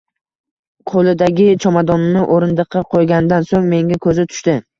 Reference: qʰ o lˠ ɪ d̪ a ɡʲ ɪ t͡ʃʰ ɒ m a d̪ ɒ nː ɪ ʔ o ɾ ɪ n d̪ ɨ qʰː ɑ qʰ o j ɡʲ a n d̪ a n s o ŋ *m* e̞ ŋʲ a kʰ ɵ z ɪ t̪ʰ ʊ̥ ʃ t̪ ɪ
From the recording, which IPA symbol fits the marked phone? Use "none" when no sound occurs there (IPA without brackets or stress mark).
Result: m